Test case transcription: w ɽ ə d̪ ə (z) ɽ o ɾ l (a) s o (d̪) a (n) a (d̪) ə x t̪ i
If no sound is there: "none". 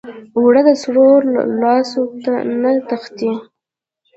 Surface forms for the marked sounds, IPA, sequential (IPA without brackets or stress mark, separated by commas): s, ɑ, t̪, n, t̪